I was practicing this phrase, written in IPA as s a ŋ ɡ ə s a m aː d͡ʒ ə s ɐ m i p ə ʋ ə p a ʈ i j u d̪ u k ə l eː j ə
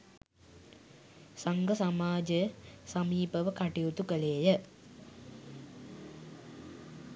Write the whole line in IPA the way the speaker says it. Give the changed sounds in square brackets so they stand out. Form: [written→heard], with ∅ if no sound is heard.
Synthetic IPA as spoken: s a ŋ ɡ ə s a m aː d͡ʒ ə s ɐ m [i→iː] p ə ʋ ə [p→k] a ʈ i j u [d̪→t̪] u k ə l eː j ə